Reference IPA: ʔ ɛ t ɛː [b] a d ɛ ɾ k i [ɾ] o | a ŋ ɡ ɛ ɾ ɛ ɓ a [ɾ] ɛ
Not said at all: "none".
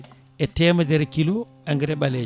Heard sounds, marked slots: m, l, l

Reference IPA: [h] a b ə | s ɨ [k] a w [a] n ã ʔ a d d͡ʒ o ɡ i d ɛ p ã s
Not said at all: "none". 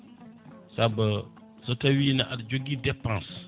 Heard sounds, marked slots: s, t, i

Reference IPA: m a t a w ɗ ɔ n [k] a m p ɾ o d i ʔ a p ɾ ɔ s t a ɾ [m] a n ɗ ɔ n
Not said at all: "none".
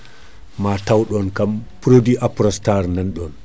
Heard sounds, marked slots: k, n

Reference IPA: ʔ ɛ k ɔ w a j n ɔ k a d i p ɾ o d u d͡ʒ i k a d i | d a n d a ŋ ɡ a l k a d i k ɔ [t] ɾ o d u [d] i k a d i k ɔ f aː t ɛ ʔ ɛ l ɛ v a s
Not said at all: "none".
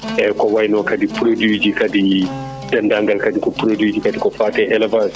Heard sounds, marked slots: p, d͡ʒ

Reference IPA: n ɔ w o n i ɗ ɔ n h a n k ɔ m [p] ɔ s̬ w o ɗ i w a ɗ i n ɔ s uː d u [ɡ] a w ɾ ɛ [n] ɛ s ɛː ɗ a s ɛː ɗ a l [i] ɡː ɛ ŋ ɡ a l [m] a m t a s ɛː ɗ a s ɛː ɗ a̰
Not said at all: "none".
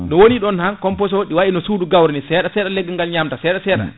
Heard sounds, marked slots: p, ɡ, n, ɛ, ɲ

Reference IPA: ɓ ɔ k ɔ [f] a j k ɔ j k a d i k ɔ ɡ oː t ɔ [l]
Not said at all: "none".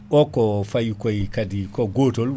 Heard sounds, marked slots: f, l

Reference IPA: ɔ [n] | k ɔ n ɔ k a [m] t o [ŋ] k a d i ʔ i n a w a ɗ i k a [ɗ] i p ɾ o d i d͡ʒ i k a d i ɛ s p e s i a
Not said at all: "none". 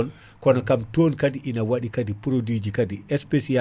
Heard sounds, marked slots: n, m, n, d

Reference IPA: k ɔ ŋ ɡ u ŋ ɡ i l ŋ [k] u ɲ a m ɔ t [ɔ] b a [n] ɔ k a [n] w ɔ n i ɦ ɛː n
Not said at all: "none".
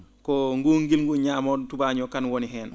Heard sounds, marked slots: ɡ, u, ɲ, n

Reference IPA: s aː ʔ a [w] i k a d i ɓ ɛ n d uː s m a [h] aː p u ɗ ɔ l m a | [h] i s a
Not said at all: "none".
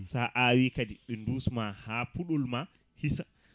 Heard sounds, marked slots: w, h, h

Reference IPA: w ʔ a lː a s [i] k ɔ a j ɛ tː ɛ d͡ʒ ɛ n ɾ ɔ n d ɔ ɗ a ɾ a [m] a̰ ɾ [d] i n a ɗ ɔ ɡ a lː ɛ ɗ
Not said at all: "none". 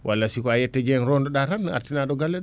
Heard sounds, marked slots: i, n, t

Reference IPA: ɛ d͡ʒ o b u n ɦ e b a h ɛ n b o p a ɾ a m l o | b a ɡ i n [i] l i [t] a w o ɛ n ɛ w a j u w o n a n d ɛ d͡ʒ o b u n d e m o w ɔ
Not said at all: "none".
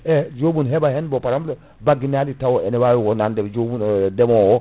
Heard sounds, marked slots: a, t

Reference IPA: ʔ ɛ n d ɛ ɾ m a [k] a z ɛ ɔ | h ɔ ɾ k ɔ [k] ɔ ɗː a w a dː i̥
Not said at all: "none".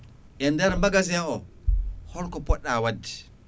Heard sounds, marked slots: ɡ, p

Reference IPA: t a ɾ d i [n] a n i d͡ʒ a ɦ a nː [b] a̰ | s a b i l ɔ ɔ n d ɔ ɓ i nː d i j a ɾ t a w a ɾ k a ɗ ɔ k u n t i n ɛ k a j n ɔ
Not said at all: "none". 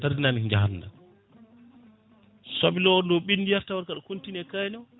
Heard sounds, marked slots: n, d

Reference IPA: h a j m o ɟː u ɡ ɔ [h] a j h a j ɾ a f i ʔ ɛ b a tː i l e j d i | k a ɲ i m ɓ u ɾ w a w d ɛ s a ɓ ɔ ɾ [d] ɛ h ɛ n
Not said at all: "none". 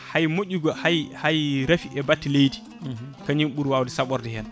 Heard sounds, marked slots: h, d

